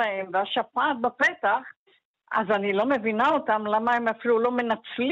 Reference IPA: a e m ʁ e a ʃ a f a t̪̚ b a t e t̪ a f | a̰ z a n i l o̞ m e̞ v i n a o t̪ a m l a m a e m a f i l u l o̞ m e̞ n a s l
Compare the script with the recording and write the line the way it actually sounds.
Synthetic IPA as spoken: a e m v e a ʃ a f a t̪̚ b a p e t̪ a χ | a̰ z a n i l o̞ m e̞ v i n a o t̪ a m l a m a e m a f i l u l o̞ m e̞ n a t͡s l